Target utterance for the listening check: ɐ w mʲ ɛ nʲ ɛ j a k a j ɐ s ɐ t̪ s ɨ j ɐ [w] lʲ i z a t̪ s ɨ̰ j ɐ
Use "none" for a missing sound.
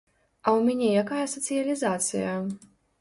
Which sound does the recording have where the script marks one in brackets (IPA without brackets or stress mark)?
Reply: none